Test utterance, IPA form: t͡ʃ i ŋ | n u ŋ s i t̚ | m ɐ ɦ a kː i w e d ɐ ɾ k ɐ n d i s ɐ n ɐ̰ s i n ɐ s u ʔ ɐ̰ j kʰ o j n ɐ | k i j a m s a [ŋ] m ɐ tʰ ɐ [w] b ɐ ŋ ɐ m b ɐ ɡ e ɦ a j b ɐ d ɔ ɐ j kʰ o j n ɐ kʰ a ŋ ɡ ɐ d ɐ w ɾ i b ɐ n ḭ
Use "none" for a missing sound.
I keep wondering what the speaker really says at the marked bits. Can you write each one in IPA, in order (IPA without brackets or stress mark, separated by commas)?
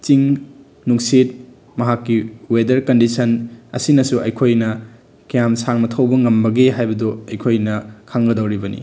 ŋ, w